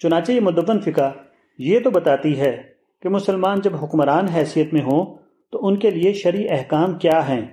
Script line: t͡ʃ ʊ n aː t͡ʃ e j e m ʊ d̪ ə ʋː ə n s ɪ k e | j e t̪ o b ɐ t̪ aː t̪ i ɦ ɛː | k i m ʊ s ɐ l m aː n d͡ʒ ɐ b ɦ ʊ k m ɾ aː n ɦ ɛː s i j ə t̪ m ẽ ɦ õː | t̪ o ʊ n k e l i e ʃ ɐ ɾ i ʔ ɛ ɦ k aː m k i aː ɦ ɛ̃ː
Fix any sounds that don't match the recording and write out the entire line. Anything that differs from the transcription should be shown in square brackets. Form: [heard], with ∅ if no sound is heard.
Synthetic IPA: t͡ʃ ʊ n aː t͡ʃ e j e m ʊ d̪ ə ʋː ə n [f] ɪ k [a] | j e t̪ o b ɐ t̪ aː t̪ i ɦ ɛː | k [e] m ʊ s [ə] l m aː n d͡ʒ ɐ b ɦ ʊ k m ɾ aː n ɦ ɛː s i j ə t̪ m ẽ ɦ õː | t̪ o ʊ n k e l i e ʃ ɐ ɾ i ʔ ɛ ɦ k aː m k [j] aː ɦ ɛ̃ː